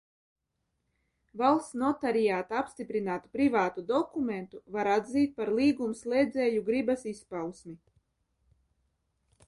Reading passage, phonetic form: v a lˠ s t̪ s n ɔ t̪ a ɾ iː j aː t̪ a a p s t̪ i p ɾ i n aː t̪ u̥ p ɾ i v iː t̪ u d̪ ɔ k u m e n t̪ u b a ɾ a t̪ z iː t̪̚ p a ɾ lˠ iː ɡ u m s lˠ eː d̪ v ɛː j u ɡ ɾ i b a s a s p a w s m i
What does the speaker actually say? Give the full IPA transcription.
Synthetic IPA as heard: v a lˠ s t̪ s n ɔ t̪ a ɾ i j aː t̪ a a p s t̪ i p ɾ i n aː t̪ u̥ p ɾ i v aː t̪ u d̪ ɔ k u m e n t̪ u v a ɾ a d̪ z iː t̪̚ p a ɾ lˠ iː ɡ u m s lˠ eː d̪ z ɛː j u ɡ ɾ i b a s i s p a w s m i